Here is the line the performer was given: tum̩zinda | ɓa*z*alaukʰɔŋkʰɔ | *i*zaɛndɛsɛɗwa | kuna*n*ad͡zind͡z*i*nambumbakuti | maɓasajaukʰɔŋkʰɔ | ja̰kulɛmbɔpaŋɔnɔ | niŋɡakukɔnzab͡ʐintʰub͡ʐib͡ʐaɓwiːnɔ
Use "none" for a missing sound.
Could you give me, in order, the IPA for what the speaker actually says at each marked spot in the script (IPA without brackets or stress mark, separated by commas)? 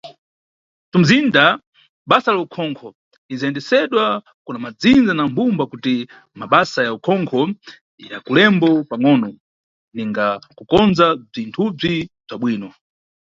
s, i, m, a